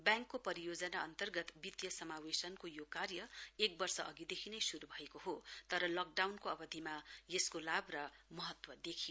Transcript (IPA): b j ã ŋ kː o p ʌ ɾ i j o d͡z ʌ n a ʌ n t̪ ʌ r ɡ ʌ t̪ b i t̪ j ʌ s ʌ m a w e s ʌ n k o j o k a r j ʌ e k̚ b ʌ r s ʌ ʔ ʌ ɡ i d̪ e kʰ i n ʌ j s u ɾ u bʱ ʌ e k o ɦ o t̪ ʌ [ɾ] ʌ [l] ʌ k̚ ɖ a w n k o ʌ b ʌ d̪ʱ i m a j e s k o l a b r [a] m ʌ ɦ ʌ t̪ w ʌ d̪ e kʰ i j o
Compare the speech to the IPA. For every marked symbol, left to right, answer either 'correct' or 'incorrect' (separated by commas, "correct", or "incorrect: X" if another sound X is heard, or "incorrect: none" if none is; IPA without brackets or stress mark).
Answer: correct, correct, incorrect: ʌ